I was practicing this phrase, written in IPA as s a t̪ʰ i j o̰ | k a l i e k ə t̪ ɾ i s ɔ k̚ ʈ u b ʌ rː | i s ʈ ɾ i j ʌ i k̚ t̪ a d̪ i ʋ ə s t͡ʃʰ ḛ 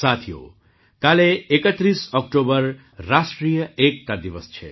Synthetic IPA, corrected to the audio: s a t̪ʰ i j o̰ | k a l e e k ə t̪ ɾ i s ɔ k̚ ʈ o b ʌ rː | a s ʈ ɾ i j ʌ e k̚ t̪ a d̪ i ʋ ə s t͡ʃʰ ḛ